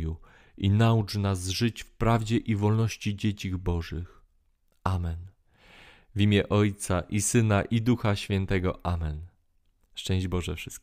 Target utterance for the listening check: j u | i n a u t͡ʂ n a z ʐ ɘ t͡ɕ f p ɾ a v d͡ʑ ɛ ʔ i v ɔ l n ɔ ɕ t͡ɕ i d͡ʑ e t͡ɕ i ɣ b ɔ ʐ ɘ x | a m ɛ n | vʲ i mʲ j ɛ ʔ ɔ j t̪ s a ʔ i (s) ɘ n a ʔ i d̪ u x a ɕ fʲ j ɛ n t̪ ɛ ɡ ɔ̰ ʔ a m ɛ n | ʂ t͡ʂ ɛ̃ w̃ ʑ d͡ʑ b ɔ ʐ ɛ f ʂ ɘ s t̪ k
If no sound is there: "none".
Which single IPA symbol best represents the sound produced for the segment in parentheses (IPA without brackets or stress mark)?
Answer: s